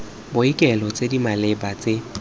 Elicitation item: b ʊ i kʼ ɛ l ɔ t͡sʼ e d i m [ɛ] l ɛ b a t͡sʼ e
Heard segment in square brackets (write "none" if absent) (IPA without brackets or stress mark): a